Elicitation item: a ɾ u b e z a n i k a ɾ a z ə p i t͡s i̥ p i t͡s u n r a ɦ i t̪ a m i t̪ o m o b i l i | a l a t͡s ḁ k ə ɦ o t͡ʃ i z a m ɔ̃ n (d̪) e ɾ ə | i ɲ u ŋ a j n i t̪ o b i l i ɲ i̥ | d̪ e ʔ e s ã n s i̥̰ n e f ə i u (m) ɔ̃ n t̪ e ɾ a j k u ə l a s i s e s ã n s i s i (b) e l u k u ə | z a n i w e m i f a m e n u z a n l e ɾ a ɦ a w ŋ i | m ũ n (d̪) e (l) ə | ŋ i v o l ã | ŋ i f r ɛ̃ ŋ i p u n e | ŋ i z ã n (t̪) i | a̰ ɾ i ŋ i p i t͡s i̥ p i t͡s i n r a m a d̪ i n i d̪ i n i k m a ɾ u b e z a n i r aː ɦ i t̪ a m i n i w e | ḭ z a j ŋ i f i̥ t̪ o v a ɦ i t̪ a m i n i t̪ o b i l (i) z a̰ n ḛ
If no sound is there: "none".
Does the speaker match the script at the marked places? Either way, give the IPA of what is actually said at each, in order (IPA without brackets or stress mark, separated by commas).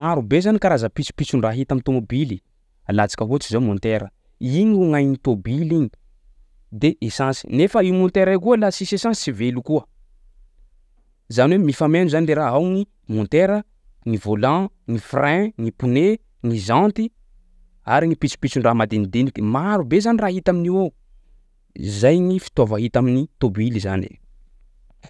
t̪, m, v, t̪, ɾ, t̪, i